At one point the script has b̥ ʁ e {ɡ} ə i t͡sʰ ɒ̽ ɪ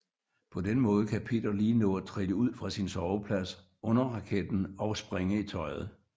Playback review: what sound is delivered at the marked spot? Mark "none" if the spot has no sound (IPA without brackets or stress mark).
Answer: ŋ